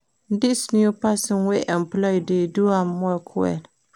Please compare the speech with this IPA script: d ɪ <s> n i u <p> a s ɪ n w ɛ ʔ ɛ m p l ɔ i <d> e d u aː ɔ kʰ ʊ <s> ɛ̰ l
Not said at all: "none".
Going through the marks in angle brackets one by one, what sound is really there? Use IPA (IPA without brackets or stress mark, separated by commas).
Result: s, p, d, none